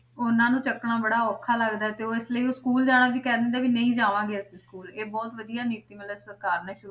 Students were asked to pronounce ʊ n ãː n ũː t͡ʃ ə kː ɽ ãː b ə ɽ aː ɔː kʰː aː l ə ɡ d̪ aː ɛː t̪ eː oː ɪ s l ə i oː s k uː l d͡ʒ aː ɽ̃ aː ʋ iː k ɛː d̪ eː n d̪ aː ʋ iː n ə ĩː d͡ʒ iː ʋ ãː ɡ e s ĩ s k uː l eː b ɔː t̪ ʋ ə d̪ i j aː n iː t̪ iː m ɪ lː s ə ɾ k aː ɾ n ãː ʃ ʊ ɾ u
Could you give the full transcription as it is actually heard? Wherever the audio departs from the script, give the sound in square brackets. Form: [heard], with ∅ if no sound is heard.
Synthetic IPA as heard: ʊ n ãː n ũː t͡ʃ ə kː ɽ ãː b ə ɽ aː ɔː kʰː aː l ə ɡ d̪ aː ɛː t̪ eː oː ɪ s l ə i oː s k uː l d͡ʒ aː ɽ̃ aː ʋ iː k ɛː d̪ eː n d̪ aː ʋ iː n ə ĩː d͡ʒ [aː] ʋ ãː ɡ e s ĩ s k uː l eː b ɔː t̪ ʋ ə d̪ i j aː n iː t̪ iː m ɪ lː s ə ɾ k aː ɾ n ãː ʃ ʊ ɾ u